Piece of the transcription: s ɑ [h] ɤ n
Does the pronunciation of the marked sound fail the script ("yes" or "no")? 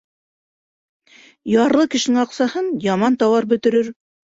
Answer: no